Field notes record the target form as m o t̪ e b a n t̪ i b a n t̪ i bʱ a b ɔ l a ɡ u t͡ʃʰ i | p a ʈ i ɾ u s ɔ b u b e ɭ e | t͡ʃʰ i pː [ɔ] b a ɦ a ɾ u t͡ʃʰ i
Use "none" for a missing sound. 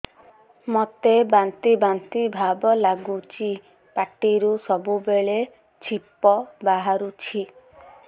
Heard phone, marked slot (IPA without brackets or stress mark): ɔ